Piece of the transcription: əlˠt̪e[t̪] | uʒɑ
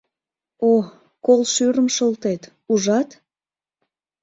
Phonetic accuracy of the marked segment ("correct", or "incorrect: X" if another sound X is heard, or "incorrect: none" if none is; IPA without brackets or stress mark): correct